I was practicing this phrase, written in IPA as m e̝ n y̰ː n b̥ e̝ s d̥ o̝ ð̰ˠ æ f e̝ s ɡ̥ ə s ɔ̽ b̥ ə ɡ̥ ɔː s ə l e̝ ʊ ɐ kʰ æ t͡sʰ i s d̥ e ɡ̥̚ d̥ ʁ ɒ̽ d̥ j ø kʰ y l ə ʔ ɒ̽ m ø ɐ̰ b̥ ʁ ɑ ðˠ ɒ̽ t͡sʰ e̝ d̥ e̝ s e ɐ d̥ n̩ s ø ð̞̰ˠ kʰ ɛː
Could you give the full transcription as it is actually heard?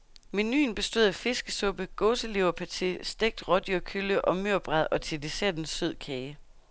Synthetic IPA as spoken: m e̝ n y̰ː n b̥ e̝ s d̥ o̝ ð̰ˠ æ f e̝ s ɡ̥ ə s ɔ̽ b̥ ə ɡ̥ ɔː s ə l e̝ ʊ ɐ pʰ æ t͡sʰ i s d̥ e ɡ̥̚ d̥ ʁ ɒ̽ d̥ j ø kʰ y l ə ʔ ɒ̽ m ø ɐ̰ b̥ ʁ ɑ ðˠ ɒ̽ t͡sʰ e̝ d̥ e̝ s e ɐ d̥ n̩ s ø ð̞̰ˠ kʰ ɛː